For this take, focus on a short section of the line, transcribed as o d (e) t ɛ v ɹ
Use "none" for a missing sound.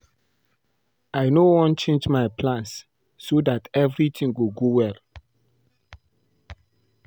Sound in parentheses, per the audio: a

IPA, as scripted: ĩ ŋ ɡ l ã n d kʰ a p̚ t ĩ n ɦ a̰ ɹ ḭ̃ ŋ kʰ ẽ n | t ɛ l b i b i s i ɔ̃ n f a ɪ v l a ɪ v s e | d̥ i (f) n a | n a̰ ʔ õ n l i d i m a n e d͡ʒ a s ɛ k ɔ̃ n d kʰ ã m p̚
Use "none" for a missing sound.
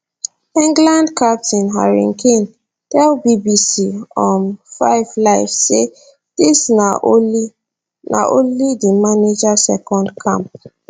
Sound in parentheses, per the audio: s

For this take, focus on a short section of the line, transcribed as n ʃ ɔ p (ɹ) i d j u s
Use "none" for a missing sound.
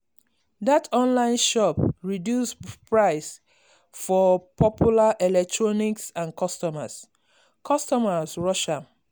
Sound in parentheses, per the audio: ɹ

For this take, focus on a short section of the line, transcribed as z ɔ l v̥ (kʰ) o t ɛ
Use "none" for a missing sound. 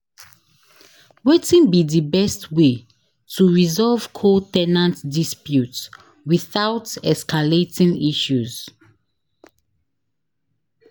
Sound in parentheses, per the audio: kʰ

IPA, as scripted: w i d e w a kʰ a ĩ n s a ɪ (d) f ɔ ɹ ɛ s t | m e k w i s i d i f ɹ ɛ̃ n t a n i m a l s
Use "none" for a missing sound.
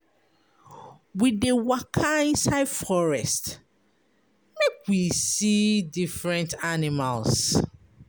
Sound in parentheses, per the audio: d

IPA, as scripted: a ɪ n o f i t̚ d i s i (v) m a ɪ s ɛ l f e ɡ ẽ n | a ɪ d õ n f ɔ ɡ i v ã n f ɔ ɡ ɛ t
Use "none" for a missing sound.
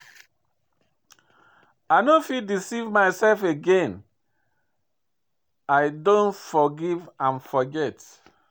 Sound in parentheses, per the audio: v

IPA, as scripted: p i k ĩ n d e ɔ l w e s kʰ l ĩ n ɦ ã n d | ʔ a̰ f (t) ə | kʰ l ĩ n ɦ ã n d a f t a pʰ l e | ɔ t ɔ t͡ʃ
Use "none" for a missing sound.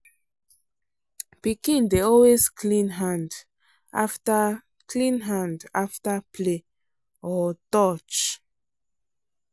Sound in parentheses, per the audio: t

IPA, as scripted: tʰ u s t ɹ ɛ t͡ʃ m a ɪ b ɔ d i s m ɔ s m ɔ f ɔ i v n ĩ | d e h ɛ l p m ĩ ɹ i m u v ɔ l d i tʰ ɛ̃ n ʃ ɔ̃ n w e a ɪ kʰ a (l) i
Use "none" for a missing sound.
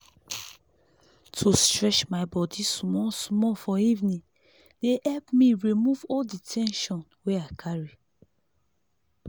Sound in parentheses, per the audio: ɹ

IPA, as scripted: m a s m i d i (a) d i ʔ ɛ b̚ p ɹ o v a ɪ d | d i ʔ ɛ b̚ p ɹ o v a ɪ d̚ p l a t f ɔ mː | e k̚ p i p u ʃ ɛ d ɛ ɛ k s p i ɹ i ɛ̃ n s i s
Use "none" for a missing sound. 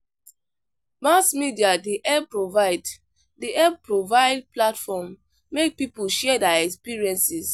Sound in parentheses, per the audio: a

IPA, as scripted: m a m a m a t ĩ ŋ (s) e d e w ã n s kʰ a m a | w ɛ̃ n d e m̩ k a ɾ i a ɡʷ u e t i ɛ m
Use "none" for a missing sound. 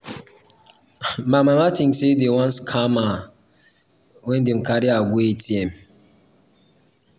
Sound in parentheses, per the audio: s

